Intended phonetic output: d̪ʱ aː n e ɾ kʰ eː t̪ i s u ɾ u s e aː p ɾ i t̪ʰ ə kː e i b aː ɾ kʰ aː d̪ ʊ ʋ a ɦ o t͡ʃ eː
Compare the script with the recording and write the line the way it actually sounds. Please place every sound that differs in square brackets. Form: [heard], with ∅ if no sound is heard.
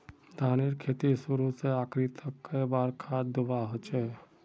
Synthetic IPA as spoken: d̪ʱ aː n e ɾ kʰ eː t̪ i s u ɾ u s e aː [k] ɾ i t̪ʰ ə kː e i b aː ɾ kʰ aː d̪ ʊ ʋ a ɦ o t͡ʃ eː